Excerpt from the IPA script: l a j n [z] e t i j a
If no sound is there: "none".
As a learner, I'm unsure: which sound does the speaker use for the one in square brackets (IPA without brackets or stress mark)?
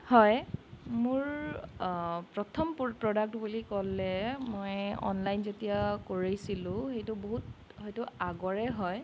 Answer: z